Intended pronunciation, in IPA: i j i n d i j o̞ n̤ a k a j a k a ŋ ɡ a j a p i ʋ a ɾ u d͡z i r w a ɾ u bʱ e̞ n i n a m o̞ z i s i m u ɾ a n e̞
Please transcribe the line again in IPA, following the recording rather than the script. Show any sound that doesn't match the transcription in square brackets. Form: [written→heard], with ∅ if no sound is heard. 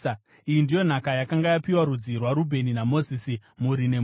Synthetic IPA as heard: i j i n d i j o̞ n̤ a k a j a k a ŋ ɡ a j a p i [ʋ→w] a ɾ u d͡z i r w a ɾ u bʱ e̞ n i n a m o̞ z i s i m u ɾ [a→i] n e̞

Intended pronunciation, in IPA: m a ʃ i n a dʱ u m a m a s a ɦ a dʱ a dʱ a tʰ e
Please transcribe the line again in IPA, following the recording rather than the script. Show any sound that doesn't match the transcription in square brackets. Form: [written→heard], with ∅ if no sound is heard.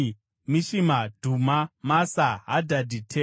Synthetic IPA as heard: m [a→i] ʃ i [n→m] a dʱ u m a m a s a ɦ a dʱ a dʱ [a→i] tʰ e

